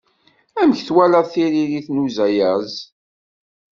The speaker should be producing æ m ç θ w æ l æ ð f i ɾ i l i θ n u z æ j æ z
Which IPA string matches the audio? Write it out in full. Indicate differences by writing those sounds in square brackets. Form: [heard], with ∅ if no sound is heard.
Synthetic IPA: æ m ç θ w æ l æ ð [θ] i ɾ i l i θ n u z æ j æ z

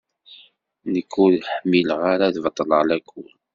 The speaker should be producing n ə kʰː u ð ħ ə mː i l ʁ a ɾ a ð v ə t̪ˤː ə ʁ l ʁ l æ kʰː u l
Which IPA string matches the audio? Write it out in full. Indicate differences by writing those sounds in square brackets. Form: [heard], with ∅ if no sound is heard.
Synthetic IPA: n ə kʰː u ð ħ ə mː i l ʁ a ɾ a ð v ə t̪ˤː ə [∅] l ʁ l æ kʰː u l

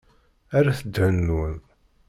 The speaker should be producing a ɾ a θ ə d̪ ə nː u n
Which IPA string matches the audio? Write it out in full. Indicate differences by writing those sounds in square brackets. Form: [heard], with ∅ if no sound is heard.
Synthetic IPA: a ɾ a θ ə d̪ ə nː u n

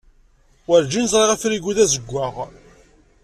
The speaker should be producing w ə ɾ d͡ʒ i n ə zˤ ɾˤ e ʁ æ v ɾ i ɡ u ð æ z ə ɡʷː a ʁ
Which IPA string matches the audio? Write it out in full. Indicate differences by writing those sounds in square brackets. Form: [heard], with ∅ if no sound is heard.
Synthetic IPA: w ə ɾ d͡ʒ i n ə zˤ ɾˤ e ʁ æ [f] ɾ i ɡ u ð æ z ə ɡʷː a ʁ

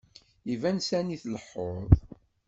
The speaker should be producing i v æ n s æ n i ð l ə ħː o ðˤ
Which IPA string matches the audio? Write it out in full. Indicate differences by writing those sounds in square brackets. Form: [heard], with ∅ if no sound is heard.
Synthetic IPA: i v æ n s æ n i [θ] l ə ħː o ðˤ

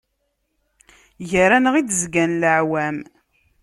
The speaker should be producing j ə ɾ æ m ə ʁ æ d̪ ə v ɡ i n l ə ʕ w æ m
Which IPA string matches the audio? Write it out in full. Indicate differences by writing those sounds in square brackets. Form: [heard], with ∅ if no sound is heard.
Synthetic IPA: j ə ɾ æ [n] ə ʁ [i] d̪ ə [z] ɡ [æ] n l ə ʕ w æ m

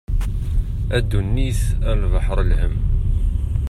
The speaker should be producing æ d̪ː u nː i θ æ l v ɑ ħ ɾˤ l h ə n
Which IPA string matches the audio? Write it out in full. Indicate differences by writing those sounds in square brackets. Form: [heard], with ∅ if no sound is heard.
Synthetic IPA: æ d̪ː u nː i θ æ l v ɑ ħ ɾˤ l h ə [m]

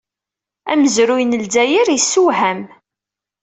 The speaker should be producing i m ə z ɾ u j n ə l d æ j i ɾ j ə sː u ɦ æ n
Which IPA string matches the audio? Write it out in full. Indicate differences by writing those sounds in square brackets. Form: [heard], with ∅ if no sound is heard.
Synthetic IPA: [æ] m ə z ɾ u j n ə l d æ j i ɾ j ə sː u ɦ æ [m]

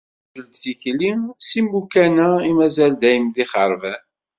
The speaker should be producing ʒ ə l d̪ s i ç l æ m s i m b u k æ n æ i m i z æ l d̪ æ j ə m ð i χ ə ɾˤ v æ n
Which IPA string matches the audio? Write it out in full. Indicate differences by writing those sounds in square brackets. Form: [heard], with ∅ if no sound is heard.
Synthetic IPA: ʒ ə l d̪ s i ç l [i] m s i m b u k æ n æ i m [æ] z æ l d̪ æ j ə m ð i χ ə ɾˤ v æ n

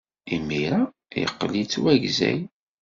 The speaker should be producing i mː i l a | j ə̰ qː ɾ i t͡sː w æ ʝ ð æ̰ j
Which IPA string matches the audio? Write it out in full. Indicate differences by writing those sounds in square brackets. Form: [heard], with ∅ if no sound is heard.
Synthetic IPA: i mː i [ɾ] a | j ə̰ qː [l] i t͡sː w æ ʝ [z] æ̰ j

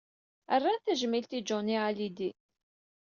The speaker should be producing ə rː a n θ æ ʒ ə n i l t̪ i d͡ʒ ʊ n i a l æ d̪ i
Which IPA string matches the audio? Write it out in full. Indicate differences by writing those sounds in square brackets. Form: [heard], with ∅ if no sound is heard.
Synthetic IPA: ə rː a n θ æ ʒ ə [m] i l t̪ i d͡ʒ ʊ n i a l [i] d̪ i

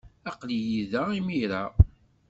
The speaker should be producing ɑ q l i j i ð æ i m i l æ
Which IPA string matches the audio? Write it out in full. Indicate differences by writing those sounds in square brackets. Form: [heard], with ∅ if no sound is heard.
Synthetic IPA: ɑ q l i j i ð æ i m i [ɾ] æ

